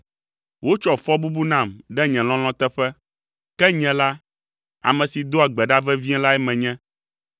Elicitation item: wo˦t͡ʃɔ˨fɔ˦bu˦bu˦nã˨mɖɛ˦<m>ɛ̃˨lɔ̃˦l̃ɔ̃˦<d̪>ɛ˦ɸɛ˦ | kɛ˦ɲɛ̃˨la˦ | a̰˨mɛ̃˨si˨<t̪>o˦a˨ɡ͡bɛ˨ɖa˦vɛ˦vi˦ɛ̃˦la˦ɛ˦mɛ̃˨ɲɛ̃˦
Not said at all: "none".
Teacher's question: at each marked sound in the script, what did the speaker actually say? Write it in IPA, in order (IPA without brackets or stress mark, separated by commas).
ɲ, t̪, d̪